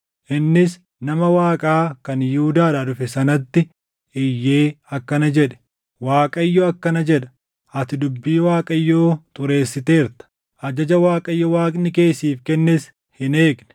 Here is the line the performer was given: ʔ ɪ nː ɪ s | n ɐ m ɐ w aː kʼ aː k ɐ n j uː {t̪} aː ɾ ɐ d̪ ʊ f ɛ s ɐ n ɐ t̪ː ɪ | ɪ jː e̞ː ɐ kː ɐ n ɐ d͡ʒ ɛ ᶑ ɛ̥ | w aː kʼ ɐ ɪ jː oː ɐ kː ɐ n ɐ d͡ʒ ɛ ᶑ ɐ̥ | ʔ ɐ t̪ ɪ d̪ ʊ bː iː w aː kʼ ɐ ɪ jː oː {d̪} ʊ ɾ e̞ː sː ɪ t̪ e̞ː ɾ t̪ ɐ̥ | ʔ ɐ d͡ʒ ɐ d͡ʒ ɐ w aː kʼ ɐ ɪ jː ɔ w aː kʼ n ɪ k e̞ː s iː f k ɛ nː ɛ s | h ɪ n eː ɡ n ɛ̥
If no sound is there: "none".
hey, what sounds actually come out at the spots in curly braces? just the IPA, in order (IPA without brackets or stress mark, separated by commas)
d̪, t̪